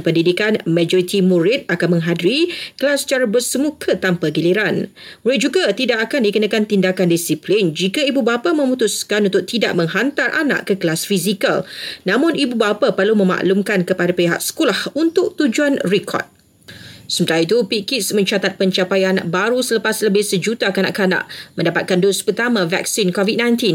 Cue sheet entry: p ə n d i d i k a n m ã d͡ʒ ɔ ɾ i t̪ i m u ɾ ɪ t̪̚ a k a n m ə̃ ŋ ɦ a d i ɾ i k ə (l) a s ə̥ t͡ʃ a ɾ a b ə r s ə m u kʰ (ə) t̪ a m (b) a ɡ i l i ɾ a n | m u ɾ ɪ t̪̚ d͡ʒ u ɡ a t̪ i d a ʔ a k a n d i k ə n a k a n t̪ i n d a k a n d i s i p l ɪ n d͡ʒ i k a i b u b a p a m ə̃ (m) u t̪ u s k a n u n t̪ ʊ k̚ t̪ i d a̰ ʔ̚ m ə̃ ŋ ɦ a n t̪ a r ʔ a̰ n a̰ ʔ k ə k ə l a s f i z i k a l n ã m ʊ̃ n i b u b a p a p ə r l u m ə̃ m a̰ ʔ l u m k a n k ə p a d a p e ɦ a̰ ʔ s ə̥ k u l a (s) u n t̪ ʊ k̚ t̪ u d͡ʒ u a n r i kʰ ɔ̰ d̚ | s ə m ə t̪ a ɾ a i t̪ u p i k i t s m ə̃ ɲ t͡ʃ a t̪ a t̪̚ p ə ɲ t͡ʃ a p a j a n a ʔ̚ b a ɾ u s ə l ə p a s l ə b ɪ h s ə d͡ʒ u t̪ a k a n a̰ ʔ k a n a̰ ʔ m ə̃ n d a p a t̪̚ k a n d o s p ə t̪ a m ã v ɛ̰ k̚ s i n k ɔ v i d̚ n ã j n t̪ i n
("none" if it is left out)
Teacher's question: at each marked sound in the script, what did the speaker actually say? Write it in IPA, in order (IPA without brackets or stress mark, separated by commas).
l, ə, p, m, h